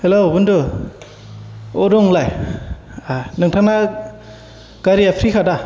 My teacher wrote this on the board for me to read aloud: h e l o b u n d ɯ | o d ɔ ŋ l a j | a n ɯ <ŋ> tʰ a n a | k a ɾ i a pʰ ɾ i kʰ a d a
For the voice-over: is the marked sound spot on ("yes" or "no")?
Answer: yes